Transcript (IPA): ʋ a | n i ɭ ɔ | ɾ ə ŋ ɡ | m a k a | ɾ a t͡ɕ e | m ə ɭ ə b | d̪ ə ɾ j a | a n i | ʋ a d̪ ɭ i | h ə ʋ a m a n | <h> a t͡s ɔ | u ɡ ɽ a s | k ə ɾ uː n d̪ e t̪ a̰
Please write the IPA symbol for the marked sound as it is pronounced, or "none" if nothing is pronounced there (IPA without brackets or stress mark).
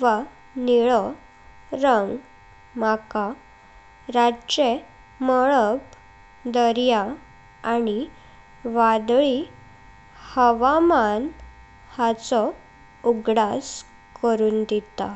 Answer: h